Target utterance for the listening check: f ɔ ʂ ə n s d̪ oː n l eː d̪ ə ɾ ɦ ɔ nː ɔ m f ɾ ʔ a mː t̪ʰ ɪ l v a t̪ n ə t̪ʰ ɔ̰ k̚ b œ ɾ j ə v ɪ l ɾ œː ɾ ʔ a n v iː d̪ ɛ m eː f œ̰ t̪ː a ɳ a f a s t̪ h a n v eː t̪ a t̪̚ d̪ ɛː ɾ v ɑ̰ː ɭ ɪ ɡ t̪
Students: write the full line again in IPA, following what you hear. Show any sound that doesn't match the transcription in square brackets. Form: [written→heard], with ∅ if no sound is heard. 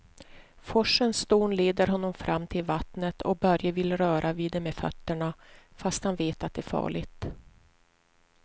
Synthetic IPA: f ɔ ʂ ə n s [d̪→t̪] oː n l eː d̪ ə ɾ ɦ ɔ nː ɔ m f ɾ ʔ a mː t̪ʰ ɪ l v a t̪ n ə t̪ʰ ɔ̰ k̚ b œ ɾ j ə v ɪ l ɾ œː ɾ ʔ a [n→∅] v iː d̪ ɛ m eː f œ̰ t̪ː [a→ə] ɳ a f a s t̪ h a n v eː t̪ a t̪̚ d̪ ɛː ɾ [v→f] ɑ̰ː ɭ ɪ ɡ t̪